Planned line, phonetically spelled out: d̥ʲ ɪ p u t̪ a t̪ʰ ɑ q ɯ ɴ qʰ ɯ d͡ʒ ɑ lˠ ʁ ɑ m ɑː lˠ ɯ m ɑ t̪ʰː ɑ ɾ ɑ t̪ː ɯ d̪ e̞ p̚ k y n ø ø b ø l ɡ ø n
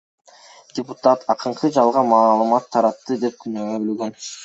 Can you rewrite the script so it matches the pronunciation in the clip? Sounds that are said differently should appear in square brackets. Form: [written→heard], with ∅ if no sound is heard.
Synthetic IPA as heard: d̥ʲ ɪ p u t̪ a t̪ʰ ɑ q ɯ ɴ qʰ ɯ d͡ʒ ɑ lˠ ʁ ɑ m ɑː lˠ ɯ m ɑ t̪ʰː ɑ ɾ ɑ t̪ː ɯ d̪ e̞ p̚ k y n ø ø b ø l ɡ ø n